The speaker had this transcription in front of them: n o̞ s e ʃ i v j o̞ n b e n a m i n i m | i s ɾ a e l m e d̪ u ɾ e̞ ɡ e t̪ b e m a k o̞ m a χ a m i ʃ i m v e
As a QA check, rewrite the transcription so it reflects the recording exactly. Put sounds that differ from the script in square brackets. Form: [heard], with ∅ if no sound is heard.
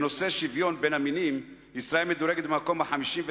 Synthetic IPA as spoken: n o̞ s e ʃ i v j o̞ n b e n a m i n i m | i s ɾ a e l m e d̪ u ɾ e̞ ɡ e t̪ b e m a k o̞ m a [ħ] a m i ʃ i m v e